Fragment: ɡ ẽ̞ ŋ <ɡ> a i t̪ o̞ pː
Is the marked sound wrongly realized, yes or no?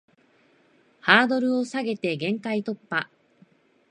yes